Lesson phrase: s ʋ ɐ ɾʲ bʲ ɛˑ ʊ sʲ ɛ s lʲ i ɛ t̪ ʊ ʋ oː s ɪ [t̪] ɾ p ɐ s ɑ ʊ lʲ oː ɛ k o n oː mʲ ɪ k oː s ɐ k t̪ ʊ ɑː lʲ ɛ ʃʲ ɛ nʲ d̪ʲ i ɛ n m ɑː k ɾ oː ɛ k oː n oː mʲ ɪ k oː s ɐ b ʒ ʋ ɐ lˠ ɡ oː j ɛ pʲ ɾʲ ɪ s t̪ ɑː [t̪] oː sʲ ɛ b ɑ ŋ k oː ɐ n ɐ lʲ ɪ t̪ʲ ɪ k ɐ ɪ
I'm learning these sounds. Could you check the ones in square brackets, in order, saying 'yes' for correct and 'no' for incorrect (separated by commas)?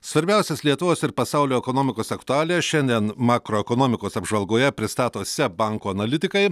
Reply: no, yes